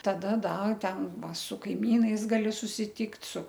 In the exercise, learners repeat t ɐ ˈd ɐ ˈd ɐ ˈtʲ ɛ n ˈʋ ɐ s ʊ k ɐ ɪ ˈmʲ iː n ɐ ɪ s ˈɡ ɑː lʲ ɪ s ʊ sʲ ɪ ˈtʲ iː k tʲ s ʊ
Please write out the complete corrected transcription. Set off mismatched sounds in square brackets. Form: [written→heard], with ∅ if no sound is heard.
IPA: t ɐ ˈd ɐ ˈd ɐ ˈtʲ ɛ n ˈʋ ɐ s ʊ k ɐ ɪ ˈmʲ iː n ɐ ɪ s ˈɡ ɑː lʲ ɪ s ʊ sʲ ɪ ˈtʲ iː k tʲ s ʊ